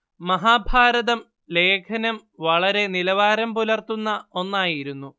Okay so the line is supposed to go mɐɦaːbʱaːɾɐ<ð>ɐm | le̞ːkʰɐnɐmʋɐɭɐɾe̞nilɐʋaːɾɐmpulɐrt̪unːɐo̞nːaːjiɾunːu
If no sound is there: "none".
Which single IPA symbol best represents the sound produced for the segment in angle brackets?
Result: ð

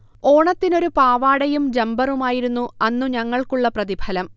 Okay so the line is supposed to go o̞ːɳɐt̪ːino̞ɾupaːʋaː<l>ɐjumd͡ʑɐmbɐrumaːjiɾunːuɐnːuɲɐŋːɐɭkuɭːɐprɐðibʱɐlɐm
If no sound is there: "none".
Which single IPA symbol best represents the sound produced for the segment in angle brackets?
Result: ɽ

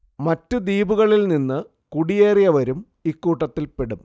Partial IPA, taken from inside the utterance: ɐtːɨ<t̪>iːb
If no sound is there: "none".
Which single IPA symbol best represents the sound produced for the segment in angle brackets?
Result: d̪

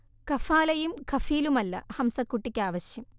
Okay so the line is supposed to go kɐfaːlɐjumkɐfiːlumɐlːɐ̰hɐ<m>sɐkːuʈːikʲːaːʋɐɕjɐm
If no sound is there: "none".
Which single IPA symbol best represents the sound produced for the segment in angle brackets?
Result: m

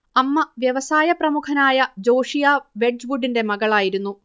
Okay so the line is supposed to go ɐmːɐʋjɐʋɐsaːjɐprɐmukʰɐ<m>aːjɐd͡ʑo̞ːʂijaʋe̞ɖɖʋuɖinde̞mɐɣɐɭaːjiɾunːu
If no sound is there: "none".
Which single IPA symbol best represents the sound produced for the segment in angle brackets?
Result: n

